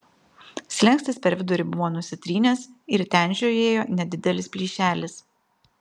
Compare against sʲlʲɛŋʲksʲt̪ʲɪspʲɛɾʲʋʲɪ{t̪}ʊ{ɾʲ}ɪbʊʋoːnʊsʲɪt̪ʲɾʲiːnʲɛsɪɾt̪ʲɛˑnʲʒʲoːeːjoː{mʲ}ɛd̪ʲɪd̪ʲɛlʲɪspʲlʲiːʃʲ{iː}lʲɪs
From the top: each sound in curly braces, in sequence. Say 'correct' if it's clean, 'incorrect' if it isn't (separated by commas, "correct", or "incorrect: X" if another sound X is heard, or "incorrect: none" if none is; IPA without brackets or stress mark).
incorrect: d̪, correct, incorrect: nʲ, incorrect: æː